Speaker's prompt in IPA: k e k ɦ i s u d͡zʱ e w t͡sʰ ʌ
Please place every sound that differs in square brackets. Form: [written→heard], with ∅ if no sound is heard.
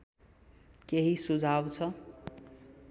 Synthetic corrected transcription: k e [k→∅] ɦ i s u d͡zʱ [e→a] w t͡sʰ ʌ